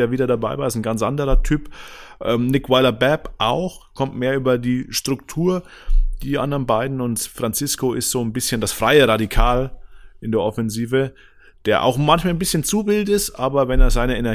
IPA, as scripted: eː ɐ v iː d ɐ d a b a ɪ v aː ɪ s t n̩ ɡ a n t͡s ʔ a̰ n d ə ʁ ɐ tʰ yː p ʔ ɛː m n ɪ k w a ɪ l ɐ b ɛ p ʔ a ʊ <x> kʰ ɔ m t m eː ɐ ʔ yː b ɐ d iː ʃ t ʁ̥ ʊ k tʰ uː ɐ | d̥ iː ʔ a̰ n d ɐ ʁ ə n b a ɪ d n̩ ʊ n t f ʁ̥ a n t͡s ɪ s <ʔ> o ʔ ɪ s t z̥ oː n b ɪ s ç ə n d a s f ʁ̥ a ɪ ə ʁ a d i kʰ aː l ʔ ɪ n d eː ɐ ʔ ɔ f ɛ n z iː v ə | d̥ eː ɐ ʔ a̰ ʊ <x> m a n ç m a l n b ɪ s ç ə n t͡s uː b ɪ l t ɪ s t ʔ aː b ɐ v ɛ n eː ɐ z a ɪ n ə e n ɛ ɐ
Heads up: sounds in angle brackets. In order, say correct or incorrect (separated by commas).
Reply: correct, incorrect, correct